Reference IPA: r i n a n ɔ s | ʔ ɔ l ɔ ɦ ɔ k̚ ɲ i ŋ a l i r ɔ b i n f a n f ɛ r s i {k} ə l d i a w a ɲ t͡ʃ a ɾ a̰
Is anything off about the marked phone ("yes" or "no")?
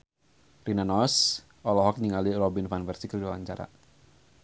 no